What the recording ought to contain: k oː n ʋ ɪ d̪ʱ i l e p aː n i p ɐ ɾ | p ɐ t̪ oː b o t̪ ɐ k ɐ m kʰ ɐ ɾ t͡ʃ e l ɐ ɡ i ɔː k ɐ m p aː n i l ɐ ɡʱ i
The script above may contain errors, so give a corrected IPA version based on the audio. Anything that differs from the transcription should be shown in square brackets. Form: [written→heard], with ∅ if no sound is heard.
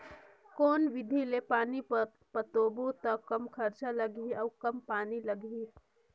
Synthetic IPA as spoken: k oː n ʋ ɪ d̪ʱ i l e p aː n i p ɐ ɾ | p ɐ t̪ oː b o t̪ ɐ k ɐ m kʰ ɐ ɾ t͡ʃ [e→a] l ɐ ɡ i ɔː k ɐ m p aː n i l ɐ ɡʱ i